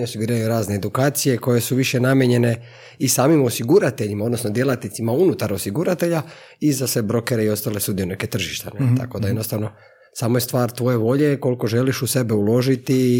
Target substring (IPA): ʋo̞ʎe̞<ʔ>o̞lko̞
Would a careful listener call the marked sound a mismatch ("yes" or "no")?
yes